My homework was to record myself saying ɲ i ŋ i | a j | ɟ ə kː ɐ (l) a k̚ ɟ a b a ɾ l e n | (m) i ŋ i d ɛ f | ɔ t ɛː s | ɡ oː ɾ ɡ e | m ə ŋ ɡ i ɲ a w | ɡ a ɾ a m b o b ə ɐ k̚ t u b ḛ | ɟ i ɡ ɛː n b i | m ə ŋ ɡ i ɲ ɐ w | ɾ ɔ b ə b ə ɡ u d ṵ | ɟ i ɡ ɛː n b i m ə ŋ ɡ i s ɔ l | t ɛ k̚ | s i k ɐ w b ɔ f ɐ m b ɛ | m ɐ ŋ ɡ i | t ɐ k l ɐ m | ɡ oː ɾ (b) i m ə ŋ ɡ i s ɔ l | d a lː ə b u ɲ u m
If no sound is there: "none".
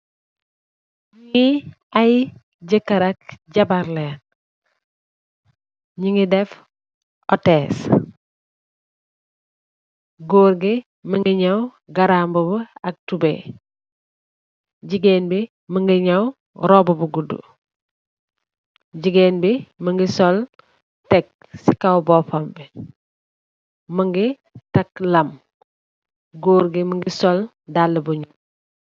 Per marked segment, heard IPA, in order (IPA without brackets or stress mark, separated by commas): ɾ, ɲ, ɡ